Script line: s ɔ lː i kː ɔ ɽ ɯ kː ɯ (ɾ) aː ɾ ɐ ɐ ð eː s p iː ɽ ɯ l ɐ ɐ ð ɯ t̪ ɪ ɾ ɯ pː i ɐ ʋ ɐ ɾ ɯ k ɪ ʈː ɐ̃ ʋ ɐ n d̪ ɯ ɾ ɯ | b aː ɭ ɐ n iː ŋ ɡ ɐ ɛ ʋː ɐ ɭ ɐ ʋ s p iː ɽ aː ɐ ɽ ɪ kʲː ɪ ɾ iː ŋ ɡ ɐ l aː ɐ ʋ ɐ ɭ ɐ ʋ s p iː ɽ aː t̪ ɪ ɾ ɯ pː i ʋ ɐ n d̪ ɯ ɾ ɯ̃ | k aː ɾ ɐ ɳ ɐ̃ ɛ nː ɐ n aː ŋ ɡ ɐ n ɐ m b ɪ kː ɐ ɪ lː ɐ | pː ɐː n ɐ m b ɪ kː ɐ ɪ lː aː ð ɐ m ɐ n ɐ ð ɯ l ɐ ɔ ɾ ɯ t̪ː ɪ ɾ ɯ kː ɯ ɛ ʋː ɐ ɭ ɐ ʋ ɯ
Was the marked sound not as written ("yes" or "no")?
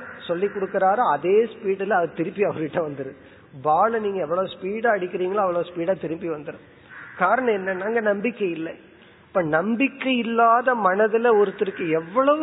no